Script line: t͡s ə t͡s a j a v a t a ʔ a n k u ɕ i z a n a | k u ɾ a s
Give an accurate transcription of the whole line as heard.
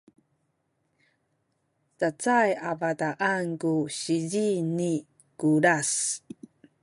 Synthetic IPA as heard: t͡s a t͡s a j a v a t a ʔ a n k u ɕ i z i n i | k u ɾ a s